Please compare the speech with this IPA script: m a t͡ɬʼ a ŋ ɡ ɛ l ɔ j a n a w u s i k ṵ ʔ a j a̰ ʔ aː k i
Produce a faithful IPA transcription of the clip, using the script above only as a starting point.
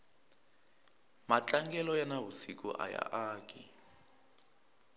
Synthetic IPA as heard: m a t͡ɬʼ a ŋ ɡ ɛ l ɔ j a n a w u s i k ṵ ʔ a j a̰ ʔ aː k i